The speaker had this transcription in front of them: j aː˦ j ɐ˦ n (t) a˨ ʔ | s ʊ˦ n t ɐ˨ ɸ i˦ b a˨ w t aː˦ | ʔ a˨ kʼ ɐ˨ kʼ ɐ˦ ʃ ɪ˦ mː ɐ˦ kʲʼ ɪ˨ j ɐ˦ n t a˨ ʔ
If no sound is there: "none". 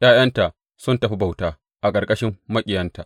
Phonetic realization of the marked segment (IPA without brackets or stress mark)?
t